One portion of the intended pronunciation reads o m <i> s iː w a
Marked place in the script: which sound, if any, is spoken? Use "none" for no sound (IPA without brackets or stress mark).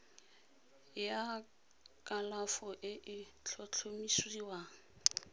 i